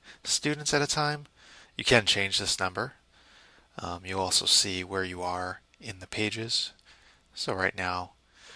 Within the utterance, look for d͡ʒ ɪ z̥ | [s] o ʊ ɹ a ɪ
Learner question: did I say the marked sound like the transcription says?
yes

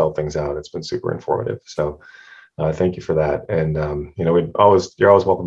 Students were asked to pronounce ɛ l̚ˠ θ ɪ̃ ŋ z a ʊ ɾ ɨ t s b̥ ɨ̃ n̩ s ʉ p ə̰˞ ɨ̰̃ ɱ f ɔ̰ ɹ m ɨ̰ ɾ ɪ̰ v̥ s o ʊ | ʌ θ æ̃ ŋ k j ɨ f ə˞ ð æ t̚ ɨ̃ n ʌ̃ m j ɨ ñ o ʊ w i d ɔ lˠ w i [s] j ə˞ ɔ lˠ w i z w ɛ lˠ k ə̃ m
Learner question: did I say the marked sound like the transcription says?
no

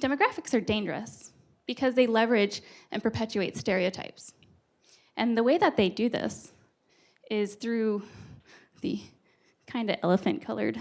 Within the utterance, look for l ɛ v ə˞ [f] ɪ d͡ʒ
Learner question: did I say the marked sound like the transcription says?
no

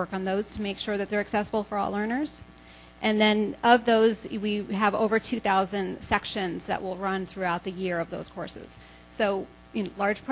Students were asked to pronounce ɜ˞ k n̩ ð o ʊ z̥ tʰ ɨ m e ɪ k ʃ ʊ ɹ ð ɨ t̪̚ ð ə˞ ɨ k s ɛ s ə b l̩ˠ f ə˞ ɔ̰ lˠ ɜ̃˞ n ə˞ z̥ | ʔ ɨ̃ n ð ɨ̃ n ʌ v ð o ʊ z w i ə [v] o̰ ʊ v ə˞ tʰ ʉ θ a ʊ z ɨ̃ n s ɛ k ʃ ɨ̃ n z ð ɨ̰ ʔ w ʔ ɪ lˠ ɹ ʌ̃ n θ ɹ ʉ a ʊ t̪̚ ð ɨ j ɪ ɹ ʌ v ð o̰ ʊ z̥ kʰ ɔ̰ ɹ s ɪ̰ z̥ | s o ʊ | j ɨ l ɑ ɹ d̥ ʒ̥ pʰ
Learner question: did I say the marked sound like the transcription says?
yes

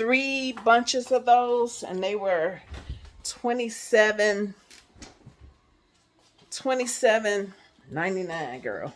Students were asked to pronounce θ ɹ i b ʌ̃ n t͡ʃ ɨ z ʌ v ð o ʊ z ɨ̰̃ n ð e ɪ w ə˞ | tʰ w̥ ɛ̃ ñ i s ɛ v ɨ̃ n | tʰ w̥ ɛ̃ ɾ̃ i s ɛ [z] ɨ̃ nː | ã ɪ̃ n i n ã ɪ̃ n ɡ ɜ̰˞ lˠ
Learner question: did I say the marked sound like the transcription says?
no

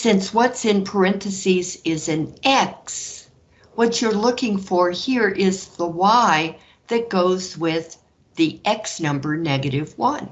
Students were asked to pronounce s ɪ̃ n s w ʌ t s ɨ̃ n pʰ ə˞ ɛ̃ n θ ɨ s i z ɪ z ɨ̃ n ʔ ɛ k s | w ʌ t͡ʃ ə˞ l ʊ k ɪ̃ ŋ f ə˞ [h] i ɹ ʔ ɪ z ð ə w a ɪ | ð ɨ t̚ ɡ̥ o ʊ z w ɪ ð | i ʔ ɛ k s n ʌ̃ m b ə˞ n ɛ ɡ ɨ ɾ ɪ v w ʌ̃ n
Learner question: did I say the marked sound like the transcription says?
yes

